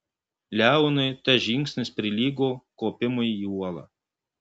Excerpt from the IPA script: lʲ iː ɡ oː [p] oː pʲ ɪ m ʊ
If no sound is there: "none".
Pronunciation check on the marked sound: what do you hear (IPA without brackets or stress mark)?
k